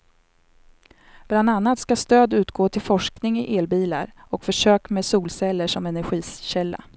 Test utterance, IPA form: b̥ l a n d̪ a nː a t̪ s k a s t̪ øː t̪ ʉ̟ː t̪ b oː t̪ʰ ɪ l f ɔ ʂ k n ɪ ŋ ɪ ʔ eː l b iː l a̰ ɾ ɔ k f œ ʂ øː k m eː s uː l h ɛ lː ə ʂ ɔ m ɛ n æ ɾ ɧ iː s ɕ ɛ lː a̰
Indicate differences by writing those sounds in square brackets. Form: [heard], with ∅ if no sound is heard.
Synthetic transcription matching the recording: b̥ l a n d̪ a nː a t̪ s k a s t̪ øː [d̪] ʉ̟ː t̪ [ɡ] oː t̪ʰ ɪ l f ɔ ʂ k n ɪ ŋ ɪ ʔ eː l b iː l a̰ ɾ ɔ k f œ ʂ øː k m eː s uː l [s] ɛ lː ə ʂ ɔ m ɛ n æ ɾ ɧ iː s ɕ ɛ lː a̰